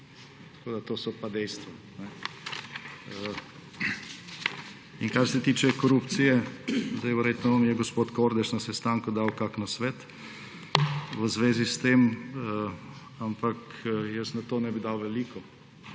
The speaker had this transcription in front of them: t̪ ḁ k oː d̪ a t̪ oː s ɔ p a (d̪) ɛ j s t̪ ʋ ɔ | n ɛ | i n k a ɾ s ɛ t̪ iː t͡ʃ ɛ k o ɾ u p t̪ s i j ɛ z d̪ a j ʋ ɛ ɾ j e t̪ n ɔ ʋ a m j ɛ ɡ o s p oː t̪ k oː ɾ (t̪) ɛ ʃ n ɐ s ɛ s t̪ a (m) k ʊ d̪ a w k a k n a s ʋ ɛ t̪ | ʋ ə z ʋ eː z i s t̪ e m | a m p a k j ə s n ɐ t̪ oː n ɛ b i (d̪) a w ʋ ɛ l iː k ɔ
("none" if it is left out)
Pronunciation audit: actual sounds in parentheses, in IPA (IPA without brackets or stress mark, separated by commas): d̪, d̪, ŋ, d̪